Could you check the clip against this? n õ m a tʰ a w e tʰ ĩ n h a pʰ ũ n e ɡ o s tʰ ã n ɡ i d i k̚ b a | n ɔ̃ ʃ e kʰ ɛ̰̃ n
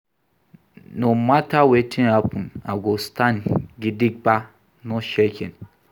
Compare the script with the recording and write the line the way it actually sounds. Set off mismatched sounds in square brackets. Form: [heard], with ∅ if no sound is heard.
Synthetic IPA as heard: n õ m a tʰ a w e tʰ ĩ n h a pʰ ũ n [a] ɡ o s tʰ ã n ɡ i d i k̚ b a | n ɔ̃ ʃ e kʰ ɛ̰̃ n